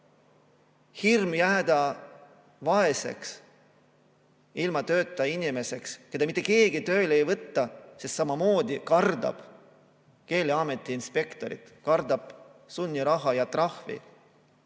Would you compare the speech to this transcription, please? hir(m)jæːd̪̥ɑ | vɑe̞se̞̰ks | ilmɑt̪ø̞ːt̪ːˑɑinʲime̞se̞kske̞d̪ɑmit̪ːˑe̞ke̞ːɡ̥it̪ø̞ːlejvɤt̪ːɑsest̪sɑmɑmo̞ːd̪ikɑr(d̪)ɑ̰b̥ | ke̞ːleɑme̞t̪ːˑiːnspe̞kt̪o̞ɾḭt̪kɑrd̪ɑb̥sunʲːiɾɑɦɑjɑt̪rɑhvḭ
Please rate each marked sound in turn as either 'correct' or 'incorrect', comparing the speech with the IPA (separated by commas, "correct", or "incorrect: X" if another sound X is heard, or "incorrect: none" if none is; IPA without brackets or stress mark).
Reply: correct, correct